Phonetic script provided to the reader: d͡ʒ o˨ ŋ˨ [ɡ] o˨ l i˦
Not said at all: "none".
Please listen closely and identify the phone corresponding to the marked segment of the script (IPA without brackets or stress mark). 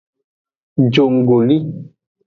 ɡ